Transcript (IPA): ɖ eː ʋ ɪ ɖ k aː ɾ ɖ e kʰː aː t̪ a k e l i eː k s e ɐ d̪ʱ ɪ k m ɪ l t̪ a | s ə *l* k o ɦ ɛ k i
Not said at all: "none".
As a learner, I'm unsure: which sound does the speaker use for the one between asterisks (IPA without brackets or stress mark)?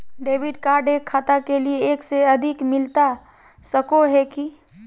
none